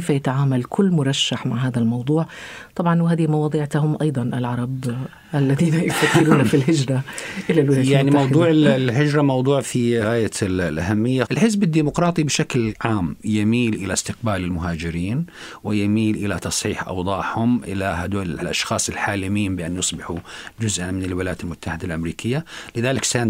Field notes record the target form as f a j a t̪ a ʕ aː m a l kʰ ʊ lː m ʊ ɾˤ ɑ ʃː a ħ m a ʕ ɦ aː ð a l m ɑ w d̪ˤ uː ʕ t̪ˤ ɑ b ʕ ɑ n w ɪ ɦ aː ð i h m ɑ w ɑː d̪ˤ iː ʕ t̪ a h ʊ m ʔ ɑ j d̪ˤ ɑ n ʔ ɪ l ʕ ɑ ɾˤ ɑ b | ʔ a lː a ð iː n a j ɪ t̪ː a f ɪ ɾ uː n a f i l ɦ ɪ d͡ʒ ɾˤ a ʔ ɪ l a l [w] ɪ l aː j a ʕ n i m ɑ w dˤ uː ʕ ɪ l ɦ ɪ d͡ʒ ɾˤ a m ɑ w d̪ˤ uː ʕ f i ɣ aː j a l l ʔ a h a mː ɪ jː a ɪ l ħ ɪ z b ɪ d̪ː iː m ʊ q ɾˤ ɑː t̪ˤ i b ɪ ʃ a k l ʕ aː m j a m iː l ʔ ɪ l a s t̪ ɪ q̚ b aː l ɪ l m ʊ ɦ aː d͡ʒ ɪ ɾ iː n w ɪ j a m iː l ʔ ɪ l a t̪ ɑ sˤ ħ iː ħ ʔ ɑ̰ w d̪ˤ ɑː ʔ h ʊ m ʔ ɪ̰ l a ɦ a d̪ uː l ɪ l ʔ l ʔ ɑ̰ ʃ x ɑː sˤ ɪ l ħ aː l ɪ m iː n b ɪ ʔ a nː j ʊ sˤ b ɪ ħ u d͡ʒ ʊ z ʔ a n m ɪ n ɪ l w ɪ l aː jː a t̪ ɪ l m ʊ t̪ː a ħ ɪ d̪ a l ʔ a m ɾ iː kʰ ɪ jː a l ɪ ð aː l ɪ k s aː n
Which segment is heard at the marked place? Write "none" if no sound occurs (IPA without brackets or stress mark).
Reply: w